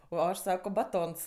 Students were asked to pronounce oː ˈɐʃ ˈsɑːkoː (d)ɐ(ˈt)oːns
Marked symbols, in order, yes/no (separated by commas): no, yes